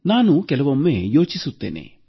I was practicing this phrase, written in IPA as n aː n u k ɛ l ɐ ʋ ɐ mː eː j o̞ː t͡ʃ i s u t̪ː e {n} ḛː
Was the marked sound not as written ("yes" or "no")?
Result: no